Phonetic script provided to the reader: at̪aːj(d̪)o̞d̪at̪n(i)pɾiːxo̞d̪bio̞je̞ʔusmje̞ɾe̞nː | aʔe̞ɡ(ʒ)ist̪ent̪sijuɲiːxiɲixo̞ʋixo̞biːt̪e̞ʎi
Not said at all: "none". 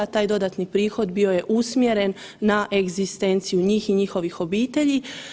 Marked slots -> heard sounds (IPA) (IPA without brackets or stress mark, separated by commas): d̪, i, z